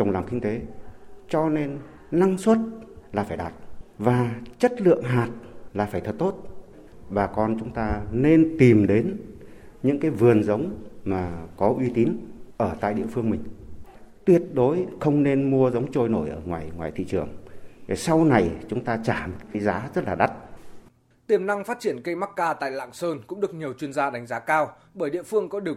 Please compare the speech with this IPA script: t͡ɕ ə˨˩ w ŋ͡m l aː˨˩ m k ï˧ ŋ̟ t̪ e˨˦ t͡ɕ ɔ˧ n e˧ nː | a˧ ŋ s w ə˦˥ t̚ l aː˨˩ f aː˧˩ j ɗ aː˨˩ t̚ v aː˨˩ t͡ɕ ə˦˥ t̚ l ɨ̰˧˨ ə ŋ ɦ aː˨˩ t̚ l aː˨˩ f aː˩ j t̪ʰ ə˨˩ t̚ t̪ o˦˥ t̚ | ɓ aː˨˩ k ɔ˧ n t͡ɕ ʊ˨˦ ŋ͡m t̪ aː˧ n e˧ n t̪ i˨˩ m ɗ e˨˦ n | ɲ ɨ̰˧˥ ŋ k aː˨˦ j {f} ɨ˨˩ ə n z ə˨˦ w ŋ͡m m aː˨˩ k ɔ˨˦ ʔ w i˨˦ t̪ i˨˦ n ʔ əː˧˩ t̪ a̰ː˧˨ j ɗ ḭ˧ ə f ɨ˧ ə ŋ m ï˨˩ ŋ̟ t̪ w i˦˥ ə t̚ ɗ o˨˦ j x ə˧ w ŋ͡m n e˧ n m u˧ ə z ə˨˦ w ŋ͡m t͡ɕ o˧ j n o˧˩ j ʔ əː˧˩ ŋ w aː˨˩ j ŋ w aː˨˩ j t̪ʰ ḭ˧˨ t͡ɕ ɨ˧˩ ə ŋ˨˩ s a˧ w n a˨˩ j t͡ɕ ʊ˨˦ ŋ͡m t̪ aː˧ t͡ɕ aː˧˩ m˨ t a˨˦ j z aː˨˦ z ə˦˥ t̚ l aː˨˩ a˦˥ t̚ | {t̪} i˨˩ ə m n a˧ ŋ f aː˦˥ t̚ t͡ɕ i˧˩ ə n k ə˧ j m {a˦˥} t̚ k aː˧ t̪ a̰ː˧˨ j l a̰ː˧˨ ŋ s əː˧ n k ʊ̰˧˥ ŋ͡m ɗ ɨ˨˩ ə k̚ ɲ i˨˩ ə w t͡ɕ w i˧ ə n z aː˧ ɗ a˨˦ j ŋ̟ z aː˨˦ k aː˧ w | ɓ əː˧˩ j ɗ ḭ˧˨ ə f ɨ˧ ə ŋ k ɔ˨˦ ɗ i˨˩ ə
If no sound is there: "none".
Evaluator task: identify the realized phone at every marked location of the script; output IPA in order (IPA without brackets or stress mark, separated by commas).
v, t̪, a˦˥